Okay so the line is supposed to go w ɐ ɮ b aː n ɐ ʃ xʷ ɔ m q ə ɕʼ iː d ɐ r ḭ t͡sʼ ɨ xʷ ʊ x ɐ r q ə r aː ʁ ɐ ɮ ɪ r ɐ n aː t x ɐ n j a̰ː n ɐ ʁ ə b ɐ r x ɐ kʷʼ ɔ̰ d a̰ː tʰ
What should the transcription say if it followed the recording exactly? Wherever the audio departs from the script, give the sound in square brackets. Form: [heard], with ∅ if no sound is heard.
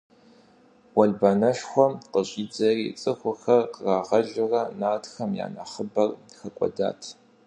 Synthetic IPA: w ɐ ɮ b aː n ɐ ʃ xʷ ɔ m q ə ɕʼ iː [d͡z] ɐ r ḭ t͡sʼ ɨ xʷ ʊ x ɐ r q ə r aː ʁ ɐ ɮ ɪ r ɐ n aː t x ɐ [m] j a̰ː n ɐ [χ] ə b ɐ r x ɐ kʷʼ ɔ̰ d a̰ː tʰ